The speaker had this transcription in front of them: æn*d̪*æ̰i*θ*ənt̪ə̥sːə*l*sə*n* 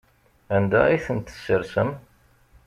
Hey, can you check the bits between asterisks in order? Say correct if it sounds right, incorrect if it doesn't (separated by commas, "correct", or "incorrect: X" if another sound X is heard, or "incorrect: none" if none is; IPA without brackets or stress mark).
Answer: correct, correct, incorrect: ɾ, incorrect: m